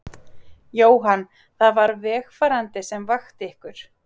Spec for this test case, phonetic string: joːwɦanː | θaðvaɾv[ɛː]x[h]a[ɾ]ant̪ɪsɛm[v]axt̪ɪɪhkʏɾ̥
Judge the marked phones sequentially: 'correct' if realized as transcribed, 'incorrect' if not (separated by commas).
correct, incorrect, correct, correct